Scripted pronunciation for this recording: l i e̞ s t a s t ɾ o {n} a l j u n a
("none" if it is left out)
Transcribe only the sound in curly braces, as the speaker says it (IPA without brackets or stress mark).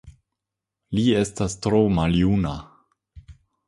m